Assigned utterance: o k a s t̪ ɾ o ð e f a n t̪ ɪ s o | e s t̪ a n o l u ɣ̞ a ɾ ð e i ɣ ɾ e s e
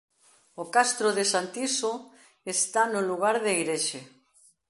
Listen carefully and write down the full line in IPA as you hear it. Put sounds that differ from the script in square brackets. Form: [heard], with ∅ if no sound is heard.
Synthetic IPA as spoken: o k a s t̪ ɾ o ð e [s] a n t̪ [i] s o | e s t̪ a n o l u ɣ̞ a ɾ ð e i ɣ ɾ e [ʃ] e